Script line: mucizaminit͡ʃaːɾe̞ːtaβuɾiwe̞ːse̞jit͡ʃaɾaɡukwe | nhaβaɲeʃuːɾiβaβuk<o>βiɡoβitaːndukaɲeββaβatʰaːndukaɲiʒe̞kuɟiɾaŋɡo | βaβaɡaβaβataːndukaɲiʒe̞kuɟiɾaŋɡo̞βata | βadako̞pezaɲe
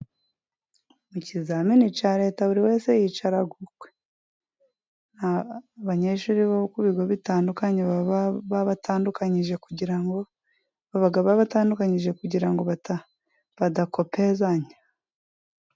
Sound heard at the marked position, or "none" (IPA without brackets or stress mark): u